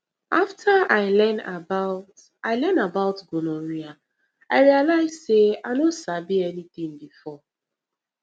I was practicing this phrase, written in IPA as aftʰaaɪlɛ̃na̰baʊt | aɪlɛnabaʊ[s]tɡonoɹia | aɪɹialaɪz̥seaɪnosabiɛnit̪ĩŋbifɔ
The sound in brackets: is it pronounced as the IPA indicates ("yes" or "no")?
no